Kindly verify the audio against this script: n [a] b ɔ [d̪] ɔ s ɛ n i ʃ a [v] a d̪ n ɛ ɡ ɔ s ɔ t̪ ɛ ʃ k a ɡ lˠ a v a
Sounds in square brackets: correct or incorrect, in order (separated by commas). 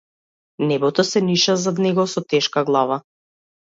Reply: incorrect, incorrect, incorrect